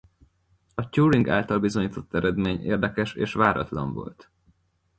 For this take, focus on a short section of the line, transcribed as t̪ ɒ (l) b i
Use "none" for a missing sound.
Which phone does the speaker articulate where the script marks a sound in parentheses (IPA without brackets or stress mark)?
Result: l